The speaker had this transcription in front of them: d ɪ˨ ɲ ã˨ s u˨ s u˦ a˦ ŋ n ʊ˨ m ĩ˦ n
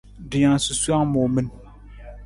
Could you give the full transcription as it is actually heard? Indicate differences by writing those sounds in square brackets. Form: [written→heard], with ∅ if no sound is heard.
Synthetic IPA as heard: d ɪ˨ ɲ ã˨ s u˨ s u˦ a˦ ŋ [n→m] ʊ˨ m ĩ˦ n